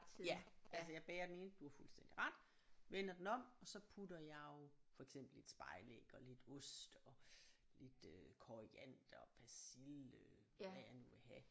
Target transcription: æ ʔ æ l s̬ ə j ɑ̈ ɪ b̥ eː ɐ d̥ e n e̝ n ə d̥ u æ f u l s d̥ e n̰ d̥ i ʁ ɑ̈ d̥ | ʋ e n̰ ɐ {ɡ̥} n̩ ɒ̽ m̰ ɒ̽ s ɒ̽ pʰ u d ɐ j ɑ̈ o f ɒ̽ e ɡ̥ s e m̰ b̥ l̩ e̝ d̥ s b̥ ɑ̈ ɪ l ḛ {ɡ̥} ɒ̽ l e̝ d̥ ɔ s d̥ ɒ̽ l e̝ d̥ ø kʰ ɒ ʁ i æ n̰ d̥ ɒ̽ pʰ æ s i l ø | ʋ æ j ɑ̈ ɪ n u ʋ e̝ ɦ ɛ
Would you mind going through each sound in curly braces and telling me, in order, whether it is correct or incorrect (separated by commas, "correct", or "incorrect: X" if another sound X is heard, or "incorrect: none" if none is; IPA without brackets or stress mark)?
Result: incorrect: d̥, correct